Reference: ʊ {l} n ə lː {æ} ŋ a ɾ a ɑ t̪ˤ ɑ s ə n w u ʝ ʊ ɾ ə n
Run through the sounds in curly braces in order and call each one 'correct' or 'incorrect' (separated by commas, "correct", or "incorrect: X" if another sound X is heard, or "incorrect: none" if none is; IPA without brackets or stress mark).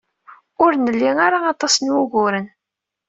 incorrect: ɾ, incorrect: i